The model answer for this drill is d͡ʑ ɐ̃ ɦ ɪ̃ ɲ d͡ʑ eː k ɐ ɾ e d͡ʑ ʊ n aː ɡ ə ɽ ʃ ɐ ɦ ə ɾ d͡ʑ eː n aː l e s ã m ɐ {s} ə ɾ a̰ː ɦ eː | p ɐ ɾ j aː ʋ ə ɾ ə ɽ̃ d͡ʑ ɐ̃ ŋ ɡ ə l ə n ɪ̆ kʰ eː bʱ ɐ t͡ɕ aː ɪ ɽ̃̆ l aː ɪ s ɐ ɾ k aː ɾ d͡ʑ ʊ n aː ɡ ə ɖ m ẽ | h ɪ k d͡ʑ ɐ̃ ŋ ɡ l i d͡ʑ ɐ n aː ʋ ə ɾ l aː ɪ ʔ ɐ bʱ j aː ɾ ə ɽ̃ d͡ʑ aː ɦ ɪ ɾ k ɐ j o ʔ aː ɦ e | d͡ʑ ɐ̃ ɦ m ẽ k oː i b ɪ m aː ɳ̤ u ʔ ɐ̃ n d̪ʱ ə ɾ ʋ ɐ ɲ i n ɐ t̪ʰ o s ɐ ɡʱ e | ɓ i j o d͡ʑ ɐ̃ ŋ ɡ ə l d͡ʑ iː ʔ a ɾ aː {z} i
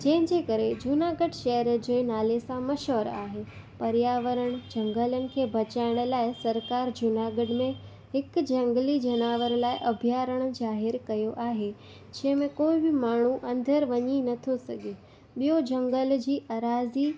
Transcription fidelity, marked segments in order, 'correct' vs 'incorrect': incorrect, correct

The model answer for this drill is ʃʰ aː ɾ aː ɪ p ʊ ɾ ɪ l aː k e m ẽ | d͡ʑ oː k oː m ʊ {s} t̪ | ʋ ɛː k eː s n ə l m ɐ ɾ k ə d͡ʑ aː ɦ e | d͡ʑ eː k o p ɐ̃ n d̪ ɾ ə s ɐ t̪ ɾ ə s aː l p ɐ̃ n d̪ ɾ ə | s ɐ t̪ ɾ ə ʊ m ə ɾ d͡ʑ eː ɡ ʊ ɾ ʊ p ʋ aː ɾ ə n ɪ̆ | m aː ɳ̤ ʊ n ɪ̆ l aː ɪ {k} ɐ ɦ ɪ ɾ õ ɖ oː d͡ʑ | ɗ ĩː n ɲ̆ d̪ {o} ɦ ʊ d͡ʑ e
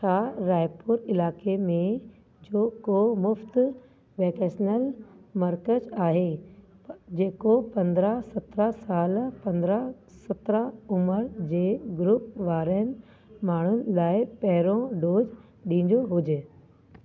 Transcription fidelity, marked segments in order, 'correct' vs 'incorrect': incorrect, incorrect, correct

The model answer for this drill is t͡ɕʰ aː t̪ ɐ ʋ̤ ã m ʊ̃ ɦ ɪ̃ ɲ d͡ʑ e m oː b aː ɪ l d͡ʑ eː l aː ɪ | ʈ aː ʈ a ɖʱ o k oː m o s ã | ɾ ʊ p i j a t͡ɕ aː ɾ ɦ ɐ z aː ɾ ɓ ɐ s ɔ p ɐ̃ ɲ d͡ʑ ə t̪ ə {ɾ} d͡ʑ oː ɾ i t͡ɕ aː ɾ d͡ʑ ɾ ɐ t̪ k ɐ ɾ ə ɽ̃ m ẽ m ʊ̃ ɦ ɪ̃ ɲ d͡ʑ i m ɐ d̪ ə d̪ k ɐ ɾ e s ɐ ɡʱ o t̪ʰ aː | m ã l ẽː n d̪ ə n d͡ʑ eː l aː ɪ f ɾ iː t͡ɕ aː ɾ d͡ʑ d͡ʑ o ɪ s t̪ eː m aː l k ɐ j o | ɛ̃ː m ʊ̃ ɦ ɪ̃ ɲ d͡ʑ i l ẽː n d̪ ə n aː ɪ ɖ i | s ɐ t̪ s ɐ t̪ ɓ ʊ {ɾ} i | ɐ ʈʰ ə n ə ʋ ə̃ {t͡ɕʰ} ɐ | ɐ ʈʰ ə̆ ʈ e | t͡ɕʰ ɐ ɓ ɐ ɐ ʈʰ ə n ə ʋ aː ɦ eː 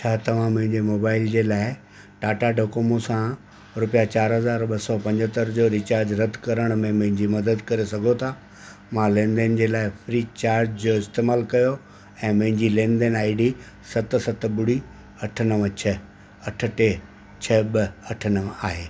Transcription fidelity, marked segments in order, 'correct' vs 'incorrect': correct, incorrect, correct

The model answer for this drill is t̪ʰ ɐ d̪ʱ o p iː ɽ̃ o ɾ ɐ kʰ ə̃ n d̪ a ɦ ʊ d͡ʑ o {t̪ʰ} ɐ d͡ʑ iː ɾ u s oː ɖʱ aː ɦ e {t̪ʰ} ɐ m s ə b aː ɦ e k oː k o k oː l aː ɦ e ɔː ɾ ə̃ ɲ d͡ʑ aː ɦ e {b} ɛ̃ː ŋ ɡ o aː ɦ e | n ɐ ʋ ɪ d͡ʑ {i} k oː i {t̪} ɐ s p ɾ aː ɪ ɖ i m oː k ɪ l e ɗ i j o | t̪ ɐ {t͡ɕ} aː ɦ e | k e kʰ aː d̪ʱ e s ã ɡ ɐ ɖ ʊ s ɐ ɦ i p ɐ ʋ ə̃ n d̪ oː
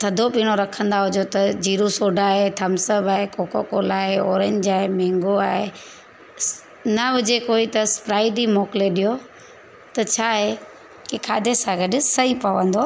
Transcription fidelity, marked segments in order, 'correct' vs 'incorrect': incorrect, correct, incorrect, incorrect, correct, incorrect

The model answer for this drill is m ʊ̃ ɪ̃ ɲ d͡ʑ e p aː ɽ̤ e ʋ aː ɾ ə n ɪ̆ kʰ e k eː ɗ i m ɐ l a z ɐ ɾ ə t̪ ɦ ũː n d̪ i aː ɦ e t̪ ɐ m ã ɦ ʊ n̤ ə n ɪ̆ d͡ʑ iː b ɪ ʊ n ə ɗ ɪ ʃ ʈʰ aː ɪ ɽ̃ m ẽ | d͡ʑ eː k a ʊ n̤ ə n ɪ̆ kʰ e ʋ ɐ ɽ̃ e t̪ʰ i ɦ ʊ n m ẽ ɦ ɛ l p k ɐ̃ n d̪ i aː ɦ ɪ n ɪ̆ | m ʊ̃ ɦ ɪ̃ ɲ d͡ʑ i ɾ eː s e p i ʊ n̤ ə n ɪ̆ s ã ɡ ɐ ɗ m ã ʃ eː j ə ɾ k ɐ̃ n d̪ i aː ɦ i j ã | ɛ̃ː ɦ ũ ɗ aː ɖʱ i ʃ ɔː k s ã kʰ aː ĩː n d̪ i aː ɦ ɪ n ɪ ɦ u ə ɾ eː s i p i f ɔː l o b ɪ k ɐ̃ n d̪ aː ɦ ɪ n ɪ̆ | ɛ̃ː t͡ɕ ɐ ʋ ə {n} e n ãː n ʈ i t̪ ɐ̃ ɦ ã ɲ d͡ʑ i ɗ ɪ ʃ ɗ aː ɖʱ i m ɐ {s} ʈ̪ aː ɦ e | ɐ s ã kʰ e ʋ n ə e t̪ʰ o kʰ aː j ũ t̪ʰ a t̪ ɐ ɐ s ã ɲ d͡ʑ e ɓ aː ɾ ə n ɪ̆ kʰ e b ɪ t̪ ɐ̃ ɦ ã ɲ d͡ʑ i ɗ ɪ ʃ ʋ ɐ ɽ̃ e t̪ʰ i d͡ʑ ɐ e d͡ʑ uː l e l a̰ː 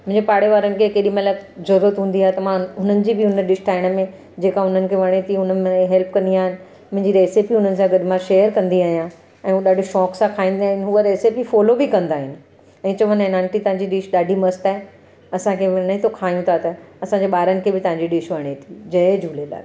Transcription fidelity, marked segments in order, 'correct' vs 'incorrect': correct, correct

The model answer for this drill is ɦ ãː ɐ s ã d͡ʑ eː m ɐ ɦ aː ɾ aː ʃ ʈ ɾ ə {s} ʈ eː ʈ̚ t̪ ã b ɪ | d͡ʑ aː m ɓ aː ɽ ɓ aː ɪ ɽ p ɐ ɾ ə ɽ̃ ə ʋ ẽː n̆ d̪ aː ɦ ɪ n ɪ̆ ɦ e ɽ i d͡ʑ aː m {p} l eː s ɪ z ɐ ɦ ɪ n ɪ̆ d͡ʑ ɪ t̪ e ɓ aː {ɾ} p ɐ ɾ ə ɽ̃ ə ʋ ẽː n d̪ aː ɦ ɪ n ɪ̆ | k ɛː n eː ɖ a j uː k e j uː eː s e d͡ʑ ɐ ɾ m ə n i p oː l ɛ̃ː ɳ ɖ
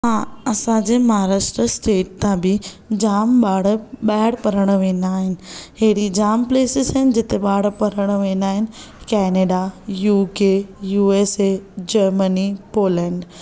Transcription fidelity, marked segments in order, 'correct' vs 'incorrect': correct, correct, incorrect

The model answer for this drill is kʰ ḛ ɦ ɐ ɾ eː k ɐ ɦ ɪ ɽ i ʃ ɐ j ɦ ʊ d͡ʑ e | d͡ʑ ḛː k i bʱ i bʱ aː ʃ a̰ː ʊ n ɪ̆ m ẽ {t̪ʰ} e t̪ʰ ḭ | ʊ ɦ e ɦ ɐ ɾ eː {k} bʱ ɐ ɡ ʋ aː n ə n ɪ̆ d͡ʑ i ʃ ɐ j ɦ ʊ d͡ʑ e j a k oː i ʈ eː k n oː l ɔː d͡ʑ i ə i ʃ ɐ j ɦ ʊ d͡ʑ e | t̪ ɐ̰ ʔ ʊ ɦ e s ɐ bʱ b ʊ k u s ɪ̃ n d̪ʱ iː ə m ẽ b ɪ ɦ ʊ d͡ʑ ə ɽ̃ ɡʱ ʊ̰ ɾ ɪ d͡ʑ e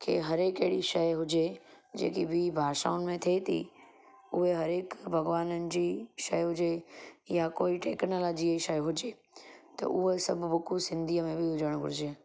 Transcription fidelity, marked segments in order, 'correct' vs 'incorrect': correct, correct

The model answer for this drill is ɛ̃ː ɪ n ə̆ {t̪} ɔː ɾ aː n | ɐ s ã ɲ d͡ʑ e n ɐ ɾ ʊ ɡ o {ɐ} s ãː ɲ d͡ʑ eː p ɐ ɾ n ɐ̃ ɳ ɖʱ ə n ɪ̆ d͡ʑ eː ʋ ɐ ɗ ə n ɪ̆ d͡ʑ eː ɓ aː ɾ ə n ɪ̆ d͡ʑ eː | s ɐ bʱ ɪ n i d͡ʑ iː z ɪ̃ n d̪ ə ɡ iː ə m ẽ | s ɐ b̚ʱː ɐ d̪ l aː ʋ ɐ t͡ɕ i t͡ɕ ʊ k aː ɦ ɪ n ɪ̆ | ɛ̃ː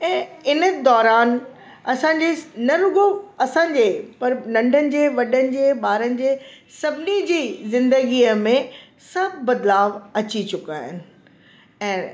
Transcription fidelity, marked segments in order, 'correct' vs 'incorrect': incorrect, correct

